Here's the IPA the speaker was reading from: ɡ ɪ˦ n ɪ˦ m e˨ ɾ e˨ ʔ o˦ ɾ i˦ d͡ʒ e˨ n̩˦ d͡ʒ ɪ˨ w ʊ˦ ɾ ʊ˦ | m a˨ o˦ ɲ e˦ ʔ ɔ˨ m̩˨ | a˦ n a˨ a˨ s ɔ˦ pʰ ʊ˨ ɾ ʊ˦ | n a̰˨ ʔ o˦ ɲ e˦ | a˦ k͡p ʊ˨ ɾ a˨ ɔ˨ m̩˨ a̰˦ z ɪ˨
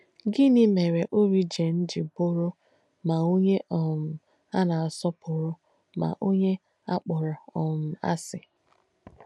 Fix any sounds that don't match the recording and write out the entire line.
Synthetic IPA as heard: ɡ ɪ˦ n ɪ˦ m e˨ ɾ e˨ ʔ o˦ ɾ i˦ d͡ʒ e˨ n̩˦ d͡ʒ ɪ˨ b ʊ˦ ɾ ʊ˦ | m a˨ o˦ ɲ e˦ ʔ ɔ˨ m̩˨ | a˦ n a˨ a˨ s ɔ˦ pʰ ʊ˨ ɾ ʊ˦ | m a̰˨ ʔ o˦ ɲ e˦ | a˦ k͡p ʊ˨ ɾ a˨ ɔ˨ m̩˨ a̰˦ s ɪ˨

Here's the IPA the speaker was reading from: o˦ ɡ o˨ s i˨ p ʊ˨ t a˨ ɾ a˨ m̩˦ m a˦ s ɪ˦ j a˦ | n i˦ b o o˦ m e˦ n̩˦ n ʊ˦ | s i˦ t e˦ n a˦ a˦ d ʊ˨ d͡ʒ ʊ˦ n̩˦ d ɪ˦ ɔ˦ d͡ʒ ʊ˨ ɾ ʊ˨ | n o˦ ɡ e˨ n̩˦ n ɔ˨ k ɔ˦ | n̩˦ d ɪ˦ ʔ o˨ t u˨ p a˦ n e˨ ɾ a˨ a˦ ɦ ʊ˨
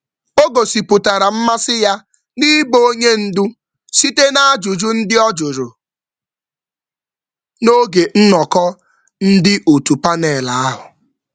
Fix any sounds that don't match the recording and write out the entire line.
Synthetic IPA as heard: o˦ ɡ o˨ s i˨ p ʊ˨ t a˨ ɾ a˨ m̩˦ m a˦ s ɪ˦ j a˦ | n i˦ b o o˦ ɲ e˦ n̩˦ d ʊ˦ | s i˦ t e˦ n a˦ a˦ d͡ʒ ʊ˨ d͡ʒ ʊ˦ n̩˦ d ɪ˦ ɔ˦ d͡ʒ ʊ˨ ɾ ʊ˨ | n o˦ ɡ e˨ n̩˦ n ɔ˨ k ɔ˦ | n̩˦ d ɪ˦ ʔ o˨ t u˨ p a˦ n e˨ l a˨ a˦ ɦ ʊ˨

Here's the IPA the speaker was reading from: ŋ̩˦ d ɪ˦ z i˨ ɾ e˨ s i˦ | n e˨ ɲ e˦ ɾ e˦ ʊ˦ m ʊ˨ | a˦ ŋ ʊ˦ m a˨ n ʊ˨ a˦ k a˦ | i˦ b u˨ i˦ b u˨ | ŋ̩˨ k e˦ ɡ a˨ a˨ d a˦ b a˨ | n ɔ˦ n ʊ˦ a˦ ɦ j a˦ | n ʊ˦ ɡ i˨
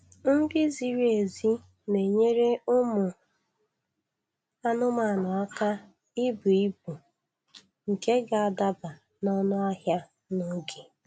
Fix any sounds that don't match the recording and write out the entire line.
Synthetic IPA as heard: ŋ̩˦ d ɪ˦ z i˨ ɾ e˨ z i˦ | n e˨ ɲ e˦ ɾ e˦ ʊ˦ m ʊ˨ | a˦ n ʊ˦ m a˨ n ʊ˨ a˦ k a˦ | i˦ b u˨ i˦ b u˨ | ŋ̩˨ k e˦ ɡ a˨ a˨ d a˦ b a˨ | n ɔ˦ n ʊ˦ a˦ ɦ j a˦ | n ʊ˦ ɡ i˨

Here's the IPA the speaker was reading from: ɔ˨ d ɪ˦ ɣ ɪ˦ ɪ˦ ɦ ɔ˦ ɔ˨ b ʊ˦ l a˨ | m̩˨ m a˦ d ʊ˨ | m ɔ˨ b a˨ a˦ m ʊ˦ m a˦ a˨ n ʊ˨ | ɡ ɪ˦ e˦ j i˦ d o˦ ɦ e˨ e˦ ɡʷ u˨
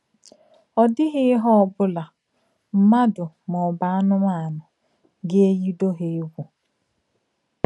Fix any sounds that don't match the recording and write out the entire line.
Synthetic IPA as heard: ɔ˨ d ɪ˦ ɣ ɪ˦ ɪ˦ ɦ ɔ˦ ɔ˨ b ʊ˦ l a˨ | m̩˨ m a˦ d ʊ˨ | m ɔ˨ b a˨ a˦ n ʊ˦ m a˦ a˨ n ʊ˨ | ɡ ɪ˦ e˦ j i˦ d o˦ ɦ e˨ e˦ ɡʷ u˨

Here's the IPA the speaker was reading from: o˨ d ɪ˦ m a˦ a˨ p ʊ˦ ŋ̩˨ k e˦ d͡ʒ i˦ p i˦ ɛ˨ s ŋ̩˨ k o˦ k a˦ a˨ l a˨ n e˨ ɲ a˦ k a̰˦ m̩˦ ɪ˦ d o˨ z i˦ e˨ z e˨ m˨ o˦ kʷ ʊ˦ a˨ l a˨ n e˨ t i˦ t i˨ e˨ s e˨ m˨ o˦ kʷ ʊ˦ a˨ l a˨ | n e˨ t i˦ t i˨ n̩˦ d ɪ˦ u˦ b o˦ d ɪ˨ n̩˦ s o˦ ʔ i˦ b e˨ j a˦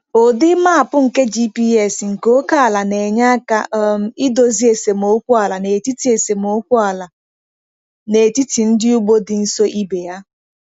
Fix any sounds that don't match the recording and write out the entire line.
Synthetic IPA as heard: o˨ d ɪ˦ m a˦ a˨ p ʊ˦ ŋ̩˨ k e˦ d͡ʒ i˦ p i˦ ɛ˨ s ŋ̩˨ k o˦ k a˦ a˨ l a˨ n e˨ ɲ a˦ k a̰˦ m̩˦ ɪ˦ d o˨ z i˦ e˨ s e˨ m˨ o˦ kʷ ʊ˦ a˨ l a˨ n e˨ t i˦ t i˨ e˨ s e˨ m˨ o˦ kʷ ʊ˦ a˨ l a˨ | n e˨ t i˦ t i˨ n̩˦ d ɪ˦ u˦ ɡ͡b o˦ d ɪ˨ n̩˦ s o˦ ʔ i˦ b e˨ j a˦

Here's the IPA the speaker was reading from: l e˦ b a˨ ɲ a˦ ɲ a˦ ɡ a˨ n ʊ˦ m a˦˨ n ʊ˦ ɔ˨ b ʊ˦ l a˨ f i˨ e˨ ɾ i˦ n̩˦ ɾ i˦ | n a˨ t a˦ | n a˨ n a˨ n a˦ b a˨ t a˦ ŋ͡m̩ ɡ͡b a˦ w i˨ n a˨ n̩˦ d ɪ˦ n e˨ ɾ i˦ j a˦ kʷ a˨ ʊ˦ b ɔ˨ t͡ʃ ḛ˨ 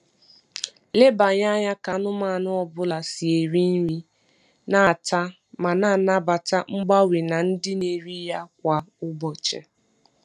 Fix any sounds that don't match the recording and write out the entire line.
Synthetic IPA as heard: l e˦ b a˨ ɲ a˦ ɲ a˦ k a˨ n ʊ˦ m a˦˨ n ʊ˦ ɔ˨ b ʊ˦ l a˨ s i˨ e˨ ɾ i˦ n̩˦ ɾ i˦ | n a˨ t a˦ | m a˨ n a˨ n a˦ b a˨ t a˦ ŋ͡m̩ ɡ͡b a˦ w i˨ n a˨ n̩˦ d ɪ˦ n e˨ ɾ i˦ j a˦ kʷ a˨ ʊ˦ b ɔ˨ t͡ʃ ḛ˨

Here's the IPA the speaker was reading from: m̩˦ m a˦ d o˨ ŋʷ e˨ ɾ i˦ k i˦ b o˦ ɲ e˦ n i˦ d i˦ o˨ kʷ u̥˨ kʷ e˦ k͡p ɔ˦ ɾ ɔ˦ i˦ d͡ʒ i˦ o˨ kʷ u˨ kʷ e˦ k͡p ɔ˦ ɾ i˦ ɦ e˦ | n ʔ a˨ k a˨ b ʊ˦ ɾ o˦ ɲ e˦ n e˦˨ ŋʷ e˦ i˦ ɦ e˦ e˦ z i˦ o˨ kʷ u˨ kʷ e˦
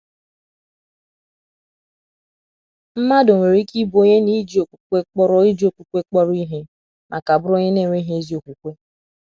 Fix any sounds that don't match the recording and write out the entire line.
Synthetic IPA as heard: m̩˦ m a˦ d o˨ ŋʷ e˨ ɾ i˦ k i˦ b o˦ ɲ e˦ n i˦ d͡ʒ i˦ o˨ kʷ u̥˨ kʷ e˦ k͡p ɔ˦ ɾ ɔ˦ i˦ d͡ʒ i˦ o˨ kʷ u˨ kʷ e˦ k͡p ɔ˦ ɾ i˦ ɦ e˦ | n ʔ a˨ k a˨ b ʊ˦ ɾ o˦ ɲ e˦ n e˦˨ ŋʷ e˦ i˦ ɦ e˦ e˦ z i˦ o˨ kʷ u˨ kʷ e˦

